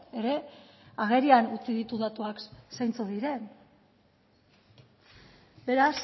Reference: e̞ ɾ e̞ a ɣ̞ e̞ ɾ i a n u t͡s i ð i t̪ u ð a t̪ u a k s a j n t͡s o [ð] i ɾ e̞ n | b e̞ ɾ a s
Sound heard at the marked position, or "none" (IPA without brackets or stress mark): ð